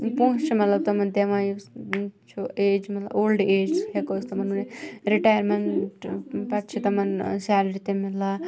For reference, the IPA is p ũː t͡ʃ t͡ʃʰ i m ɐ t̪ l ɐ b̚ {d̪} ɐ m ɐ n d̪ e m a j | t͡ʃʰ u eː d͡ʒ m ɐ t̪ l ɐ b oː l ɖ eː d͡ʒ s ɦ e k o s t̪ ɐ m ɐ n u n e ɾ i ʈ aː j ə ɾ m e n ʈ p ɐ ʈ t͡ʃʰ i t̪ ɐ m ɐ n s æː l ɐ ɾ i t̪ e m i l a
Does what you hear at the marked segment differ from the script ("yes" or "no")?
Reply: yes